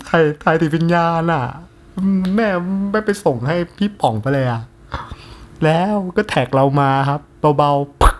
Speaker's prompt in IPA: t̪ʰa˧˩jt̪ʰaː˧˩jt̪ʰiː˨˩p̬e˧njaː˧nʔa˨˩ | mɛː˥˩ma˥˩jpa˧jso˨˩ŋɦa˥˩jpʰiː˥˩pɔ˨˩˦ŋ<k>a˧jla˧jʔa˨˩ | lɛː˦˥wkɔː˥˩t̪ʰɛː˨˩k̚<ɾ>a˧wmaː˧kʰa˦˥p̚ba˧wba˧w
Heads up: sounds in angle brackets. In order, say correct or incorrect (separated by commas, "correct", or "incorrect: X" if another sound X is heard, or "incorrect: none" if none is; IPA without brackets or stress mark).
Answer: incorrect: p, correct